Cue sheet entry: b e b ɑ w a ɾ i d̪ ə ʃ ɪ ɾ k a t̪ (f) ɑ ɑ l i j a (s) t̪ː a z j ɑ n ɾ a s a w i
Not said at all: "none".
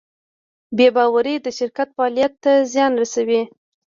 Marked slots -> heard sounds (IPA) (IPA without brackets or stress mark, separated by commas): f, none